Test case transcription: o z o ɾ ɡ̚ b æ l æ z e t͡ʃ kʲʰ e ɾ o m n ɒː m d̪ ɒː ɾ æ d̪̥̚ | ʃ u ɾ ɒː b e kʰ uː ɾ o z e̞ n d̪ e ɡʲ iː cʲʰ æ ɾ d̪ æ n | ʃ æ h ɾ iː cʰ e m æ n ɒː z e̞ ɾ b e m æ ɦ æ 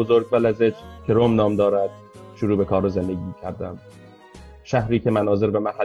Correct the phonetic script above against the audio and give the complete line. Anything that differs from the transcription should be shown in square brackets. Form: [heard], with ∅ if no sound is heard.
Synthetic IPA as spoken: o z o ɾ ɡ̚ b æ l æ z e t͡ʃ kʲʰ e ɾ o m n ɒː m d̪ ɒː ɾ æ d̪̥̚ | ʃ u ɾ [uː] b e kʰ [ɒː] ɾ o z e̞ n d̪ e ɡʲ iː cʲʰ æ ɾ d̪ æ [m] | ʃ æ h ɾ iː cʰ e m æ n ɒː z e̞ ɾ b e m æ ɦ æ